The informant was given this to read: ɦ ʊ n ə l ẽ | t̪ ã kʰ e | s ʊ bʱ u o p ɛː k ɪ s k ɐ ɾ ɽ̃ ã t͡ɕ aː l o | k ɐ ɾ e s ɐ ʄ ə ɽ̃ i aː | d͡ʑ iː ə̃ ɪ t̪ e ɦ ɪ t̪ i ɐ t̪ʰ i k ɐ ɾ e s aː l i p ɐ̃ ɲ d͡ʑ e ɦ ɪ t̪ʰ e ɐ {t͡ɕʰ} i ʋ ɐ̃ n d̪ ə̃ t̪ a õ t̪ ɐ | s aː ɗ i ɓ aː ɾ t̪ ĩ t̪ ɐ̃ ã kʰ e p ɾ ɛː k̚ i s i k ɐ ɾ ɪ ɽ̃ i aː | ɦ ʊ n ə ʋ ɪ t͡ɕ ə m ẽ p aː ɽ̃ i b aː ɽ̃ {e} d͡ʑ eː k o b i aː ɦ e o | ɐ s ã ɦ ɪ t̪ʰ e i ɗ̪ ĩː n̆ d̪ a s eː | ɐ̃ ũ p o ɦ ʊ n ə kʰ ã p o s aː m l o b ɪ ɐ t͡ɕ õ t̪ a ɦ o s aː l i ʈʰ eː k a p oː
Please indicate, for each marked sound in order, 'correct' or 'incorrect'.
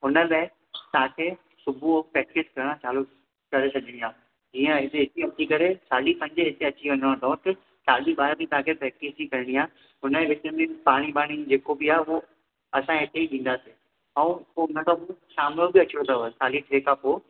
incorrect: t͡ɕ, incorrect: i

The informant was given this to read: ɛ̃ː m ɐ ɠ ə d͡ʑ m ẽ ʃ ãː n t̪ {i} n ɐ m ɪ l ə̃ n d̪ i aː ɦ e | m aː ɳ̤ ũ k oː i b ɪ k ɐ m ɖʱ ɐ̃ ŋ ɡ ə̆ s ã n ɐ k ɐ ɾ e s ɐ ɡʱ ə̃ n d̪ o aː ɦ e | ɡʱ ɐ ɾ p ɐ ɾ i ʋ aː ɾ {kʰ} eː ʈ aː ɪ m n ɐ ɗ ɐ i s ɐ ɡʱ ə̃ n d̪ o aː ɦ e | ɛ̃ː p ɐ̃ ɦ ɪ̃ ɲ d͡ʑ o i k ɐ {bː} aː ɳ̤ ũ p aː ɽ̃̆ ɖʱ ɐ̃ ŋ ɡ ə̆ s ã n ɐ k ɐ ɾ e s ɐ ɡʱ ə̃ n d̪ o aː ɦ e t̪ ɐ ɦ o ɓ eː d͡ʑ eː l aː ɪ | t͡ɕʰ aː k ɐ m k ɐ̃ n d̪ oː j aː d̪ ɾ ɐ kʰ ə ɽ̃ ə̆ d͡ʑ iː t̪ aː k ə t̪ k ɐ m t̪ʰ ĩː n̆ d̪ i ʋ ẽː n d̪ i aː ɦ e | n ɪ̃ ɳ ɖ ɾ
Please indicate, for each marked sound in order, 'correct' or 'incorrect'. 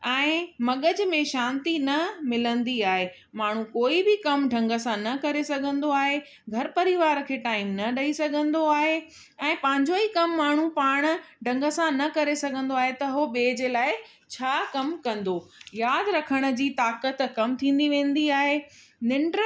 correct, correct, incorrect: mː

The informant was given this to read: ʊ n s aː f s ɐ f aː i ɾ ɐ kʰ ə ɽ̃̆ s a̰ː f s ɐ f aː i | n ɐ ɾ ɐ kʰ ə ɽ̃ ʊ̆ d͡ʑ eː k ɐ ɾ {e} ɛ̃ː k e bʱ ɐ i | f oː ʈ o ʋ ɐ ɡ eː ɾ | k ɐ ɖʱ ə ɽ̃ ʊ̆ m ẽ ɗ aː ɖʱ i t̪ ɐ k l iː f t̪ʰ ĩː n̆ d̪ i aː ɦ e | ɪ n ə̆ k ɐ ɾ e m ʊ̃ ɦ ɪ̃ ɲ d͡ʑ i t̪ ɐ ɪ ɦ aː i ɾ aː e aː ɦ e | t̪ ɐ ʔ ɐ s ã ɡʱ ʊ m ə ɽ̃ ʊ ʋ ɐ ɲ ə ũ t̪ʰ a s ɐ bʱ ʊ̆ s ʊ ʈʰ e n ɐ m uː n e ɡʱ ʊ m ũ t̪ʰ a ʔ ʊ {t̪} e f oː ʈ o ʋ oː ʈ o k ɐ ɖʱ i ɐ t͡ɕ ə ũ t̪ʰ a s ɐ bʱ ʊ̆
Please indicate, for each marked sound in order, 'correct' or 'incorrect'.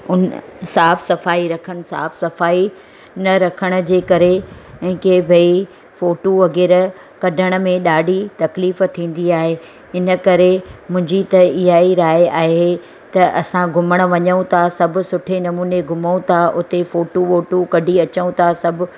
correct, correct

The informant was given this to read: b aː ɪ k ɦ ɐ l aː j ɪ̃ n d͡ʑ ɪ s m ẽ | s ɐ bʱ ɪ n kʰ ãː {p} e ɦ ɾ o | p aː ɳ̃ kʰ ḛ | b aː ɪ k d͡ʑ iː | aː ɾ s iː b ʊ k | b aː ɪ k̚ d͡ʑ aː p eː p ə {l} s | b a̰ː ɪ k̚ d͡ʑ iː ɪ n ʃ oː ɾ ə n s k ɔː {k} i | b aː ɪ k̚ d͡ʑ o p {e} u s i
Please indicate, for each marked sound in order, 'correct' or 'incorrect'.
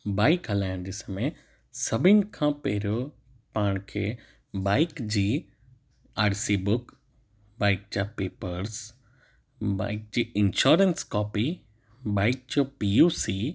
correct, incorrect: ɾ, incorrect: p, incorrect: i

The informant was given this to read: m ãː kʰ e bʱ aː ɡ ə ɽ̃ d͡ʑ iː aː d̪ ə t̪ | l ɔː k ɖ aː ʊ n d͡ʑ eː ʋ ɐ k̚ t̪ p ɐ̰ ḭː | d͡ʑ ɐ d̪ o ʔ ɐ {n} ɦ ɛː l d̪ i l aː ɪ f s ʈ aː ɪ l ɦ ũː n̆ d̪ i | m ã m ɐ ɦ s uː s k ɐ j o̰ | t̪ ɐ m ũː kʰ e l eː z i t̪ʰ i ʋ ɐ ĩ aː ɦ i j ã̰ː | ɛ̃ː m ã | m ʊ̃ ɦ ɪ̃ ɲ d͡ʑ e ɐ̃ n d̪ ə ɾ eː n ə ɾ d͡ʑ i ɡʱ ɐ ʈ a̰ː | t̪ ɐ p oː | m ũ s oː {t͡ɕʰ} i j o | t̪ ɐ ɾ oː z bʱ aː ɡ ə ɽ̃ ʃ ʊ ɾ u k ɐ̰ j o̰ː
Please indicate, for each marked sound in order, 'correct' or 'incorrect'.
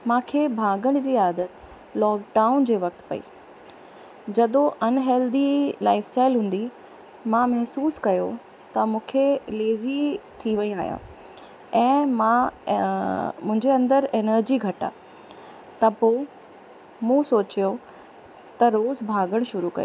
correct, incorrect: t͡ɕ

